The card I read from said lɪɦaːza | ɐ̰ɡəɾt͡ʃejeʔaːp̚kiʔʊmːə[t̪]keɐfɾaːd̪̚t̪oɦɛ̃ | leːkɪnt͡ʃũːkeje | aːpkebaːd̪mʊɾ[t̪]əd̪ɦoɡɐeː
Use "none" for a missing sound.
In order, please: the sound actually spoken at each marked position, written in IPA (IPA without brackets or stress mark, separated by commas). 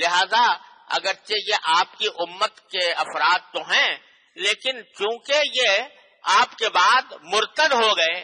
t̪, t̪